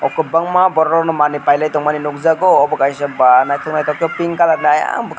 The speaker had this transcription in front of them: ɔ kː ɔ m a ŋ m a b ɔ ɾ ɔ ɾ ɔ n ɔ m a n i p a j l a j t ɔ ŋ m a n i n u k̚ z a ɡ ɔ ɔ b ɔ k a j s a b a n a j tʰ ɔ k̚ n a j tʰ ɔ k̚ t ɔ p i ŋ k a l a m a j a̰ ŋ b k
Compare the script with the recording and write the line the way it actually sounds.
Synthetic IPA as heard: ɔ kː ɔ b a ŋ m a b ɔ ɾ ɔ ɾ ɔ n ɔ m a n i p a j l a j t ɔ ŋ m a n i n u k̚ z a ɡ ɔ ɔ b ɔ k a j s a b a n a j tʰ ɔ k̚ n a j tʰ ɔ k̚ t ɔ p i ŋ k a l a n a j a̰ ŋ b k